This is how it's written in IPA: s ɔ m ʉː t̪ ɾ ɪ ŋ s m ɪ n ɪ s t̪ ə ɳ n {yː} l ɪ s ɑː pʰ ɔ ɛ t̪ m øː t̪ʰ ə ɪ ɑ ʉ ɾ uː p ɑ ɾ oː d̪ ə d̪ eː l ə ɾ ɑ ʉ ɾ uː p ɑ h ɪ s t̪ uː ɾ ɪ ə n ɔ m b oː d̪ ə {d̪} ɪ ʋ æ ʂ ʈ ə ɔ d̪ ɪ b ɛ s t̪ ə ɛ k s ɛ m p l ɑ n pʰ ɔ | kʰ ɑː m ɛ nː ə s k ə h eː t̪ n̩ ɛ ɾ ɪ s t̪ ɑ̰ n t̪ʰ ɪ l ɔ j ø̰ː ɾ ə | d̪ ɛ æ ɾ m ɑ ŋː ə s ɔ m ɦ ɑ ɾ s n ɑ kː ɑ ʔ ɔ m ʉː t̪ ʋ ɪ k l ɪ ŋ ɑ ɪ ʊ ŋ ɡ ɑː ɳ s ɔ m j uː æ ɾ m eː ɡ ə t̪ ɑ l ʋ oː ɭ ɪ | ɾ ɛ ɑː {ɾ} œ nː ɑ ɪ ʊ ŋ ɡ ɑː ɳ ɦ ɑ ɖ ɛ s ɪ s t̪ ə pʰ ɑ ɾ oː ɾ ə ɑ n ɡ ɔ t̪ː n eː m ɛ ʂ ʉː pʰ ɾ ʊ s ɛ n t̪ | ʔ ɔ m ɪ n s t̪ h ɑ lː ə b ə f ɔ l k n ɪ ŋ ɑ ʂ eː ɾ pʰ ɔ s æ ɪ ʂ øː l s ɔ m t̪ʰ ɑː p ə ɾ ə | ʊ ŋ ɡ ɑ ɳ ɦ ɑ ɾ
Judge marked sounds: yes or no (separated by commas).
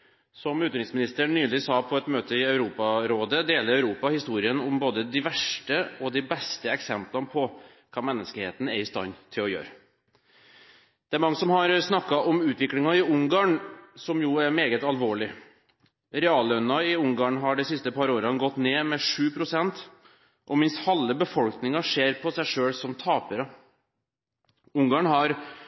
yes, yes, no